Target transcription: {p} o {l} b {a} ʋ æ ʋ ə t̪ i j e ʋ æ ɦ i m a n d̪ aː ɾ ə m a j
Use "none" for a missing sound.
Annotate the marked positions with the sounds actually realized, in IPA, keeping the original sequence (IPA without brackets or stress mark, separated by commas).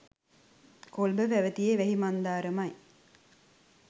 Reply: k, l, ə